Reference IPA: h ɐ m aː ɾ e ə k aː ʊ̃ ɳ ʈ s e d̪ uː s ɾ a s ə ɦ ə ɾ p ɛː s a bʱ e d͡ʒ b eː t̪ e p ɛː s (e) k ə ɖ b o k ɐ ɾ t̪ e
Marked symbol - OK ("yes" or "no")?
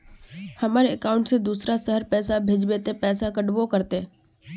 no